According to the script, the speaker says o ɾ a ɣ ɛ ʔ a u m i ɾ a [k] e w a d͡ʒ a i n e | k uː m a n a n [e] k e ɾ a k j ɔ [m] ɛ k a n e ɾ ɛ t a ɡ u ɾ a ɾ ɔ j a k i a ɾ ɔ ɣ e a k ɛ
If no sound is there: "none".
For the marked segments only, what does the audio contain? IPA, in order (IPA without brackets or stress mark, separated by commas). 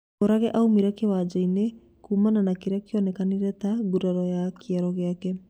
k, a, n